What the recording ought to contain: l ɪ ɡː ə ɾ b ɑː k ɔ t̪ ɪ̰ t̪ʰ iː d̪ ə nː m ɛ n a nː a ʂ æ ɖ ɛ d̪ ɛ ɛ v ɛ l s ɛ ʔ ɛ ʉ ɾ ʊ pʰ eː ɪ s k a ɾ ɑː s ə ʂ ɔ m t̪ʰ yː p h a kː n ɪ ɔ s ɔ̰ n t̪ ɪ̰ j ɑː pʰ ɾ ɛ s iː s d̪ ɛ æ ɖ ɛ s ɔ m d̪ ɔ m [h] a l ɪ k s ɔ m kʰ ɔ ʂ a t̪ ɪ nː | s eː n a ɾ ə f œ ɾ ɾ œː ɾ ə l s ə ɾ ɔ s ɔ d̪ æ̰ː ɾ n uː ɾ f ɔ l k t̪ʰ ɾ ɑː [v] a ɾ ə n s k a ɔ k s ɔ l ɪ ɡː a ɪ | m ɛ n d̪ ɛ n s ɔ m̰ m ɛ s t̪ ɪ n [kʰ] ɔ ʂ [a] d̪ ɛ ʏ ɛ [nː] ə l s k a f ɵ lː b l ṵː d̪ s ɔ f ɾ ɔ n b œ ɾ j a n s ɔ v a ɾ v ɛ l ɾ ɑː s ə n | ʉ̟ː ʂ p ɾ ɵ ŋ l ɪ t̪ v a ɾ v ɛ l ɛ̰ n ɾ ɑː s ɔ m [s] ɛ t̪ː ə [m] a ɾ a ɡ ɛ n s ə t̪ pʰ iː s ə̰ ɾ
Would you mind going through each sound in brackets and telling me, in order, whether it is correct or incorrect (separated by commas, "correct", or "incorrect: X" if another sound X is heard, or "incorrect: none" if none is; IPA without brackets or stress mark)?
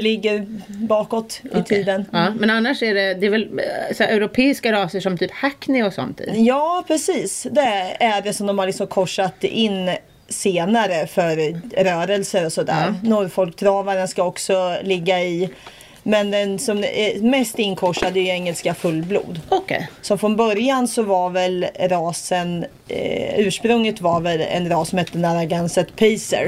correct, correct, correct, correct, incorrect: ŋː, incorrect: h, incorrect: n